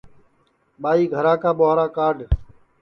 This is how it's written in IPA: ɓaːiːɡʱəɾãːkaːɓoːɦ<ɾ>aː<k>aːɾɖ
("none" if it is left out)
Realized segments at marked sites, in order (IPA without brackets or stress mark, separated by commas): ɾ, k